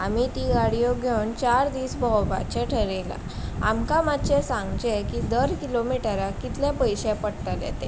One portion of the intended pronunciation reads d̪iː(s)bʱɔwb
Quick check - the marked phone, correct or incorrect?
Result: correct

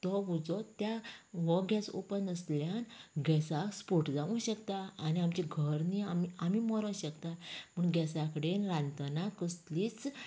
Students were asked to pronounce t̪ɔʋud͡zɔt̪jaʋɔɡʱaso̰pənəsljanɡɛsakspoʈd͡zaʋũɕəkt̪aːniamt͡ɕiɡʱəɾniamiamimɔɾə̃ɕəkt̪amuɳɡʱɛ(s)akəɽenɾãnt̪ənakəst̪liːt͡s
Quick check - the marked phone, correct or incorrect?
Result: correct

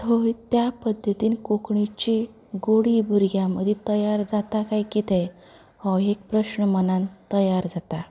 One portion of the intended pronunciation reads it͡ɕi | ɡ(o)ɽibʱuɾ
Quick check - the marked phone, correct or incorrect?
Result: correct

